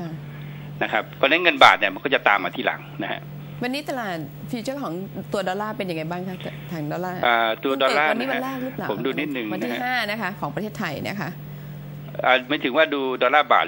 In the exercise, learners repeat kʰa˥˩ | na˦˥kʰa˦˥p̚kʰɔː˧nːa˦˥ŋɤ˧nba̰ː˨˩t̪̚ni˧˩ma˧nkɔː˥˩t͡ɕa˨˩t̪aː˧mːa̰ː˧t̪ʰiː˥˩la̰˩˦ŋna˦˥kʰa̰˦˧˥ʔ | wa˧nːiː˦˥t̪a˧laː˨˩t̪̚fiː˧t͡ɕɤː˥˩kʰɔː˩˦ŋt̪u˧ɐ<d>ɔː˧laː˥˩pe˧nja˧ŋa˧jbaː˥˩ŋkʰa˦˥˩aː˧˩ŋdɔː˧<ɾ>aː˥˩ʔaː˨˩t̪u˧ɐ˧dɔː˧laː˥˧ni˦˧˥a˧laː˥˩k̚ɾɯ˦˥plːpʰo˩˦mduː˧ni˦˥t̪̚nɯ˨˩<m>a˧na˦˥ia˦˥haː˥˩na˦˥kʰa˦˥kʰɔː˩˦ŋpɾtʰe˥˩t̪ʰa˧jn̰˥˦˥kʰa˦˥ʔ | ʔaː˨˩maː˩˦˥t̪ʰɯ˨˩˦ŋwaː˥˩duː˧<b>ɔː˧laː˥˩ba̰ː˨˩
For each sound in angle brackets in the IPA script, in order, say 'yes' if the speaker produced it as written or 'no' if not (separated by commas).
yes, no, no, no